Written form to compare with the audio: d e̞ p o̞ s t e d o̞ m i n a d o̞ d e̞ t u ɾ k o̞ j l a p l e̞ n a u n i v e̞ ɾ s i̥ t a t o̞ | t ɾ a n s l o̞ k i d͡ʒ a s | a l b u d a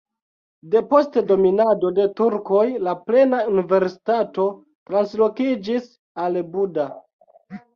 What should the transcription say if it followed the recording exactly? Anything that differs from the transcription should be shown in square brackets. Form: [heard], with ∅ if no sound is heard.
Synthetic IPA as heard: d e̞ p o̞ s t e d o̞ m i n a d o̞ d e̞ t u ɾ k o̞ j l a p l e̞ n a u n i v e̞ ɾ s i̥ t a t o̞ | t ɾ a n s l o̞ k i d͡ʒ [i] s | a l b u d a